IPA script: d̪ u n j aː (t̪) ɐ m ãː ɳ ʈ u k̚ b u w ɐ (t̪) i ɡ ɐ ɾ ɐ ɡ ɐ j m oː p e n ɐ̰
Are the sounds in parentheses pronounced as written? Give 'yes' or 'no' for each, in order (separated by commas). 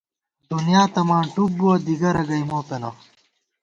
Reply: yes, no